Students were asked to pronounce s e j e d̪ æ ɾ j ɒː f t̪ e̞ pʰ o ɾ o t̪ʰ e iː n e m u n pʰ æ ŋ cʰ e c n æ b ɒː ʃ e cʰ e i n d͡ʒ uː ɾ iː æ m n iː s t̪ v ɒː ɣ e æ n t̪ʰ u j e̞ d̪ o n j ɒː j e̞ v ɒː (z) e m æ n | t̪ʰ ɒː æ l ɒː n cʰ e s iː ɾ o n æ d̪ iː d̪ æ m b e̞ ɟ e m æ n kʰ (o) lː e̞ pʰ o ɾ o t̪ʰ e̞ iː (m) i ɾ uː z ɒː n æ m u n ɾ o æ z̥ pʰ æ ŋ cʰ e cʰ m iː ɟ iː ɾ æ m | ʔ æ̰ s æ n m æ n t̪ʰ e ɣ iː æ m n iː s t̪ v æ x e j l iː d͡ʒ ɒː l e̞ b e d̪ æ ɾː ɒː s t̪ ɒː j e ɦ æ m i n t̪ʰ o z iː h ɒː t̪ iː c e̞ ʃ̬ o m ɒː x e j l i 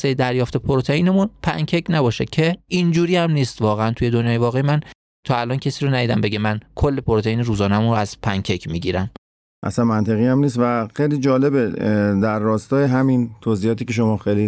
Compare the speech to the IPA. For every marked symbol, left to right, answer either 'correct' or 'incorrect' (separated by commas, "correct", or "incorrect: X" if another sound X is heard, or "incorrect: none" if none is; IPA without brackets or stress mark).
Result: incorrect: ɣ, correct, incorrect: n